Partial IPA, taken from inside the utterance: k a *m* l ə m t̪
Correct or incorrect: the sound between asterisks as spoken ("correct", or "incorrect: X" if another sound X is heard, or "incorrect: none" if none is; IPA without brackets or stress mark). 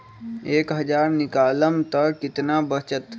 incorrect: none